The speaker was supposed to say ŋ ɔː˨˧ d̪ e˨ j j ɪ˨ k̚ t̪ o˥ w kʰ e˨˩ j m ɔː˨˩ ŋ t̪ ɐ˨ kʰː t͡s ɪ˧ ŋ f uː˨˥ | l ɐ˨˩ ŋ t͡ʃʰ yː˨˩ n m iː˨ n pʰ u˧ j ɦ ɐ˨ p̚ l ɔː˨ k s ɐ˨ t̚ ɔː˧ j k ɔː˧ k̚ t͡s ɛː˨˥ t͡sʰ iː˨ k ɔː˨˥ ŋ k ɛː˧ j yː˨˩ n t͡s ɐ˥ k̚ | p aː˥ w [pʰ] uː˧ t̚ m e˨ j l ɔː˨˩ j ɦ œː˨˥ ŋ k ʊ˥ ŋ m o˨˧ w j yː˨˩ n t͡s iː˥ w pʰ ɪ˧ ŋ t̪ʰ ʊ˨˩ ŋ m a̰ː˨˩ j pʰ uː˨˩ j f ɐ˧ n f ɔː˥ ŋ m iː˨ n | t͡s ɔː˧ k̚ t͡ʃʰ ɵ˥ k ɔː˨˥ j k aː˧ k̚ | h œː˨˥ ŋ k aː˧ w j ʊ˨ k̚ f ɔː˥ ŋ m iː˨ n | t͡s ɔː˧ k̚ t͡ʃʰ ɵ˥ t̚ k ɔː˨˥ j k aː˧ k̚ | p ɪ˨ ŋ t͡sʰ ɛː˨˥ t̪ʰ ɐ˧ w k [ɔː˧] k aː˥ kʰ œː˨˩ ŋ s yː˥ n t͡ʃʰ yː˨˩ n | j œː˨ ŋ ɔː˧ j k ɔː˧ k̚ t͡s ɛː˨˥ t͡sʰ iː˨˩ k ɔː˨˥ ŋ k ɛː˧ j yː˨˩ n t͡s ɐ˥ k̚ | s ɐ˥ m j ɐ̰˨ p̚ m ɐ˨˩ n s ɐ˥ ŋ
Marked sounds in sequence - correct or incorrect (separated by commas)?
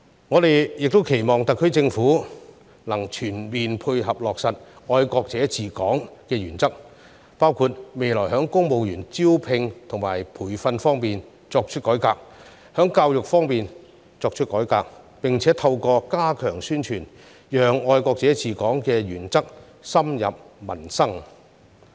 incorrect, correct